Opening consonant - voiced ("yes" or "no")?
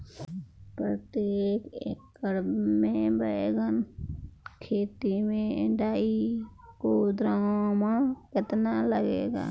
no